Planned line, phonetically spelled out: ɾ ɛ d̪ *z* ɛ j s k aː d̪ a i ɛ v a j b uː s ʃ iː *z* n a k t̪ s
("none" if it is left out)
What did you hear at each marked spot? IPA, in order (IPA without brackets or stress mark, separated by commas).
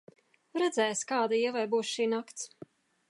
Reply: z, none